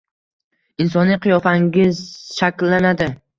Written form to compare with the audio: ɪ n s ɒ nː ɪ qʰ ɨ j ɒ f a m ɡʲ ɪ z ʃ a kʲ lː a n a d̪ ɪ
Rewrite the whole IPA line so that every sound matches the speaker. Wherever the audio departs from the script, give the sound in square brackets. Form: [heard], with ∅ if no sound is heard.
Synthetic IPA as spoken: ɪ n s ɒ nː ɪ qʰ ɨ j ɒ f a [ŋ] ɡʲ ɪ z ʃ a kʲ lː a n a d̪ ɪ